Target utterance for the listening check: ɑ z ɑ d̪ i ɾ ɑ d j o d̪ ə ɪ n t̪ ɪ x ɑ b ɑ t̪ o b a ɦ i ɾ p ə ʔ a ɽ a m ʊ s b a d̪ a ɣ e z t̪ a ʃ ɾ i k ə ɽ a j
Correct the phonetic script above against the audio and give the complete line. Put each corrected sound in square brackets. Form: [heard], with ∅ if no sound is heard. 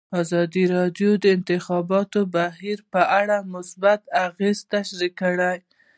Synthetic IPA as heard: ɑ z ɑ d̪ i ɾ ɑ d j o d̪ ə ɪ n t̪ ɪ x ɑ b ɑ t̪ o b a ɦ i ɾ p ə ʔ a ɽ a m ʊ s b a [t̪] a ɣ e z t̪ a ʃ ɾ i k ə ɽ a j